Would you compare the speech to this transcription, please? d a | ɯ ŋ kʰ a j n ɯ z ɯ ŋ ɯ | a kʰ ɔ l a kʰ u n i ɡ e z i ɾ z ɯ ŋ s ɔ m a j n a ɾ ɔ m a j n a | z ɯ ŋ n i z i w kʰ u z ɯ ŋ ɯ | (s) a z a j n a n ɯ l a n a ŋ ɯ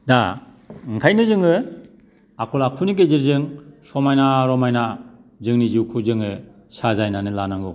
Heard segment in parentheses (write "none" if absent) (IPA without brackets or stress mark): s